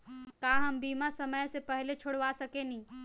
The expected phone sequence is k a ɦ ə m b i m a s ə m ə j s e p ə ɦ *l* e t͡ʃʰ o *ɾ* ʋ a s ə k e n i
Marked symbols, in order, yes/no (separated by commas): yes, no